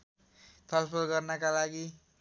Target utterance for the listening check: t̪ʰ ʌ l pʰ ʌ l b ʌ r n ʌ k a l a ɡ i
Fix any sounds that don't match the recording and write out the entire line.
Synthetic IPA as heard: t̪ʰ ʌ l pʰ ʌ l ɡ ʌ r n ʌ k a l a ɡ i